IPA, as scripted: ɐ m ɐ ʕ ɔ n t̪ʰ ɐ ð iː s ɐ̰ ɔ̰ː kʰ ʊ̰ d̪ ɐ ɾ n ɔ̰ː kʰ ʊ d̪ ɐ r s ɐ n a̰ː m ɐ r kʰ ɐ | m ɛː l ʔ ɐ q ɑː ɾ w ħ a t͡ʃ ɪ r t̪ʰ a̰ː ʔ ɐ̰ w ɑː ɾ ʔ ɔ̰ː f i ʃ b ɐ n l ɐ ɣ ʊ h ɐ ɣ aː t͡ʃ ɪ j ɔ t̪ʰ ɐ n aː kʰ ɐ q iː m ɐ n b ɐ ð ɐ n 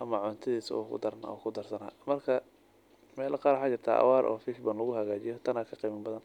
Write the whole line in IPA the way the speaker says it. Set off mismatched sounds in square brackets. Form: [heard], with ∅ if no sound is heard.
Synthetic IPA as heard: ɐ m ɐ ʕ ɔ n t̪ʰ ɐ ð iː s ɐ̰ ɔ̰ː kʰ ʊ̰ d̪ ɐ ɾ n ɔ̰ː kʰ ʊ d̪ ɐ r s ɐ n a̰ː m ɐ r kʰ ɐ | m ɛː l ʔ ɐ q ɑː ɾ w ħ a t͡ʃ ɪ r t̪ʰ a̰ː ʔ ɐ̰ w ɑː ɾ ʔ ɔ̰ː f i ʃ b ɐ n l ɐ ɣ ʊ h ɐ ɣ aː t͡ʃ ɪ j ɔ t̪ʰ ɐ n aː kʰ ɐ q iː m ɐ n b ɐ ð ɐ n